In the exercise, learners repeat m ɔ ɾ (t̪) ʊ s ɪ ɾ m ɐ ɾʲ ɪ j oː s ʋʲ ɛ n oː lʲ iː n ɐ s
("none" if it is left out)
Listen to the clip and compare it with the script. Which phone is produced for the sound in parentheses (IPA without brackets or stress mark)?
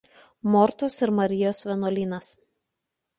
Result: t̪